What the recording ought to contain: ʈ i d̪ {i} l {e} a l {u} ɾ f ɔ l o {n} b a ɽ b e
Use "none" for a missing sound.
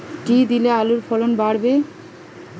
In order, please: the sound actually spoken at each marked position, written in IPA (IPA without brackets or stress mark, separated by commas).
i, e, u, n